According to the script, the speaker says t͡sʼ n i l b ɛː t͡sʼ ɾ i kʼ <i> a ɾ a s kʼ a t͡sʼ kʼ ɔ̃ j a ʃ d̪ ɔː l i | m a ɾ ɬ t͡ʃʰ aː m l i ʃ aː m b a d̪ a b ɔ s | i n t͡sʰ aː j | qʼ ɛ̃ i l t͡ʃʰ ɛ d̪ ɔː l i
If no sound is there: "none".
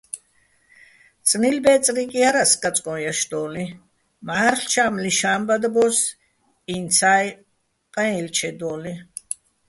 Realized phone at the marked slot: i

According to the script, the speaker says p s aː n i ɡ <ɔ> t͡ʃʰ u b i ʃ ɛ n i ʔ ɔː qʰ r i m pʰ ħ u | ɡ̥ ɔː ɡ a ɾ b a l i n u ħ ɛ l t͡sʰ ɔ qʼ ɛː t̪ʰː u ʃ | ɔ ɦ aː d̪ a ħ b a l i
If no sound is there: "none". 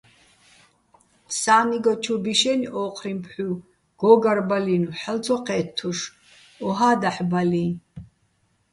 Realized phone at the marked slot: ɔ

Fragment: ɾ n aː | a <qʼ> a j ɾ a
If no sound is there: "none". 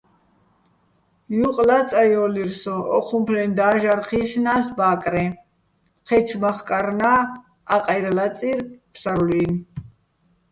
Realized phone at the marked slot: qʼ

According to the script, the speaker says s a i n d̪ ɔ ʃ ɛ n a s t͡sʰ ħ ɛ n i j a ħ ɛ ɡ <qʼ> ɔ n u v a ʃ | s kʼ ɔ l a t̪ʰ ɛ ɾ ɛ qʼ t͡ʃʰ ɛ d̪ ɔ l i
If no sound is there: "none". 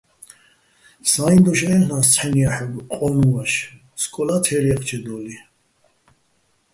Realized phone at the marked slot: qʼ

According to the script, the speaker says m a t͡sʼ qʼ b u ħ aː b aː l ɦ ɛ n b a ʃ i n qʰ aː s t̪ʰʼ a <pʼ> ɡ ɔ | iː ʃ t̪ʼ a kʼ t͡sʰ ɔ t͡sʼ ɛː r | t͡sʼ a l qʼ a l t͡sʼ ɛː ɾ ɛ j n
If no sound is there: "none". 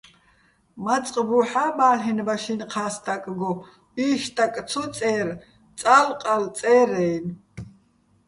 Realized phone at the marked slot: kʼ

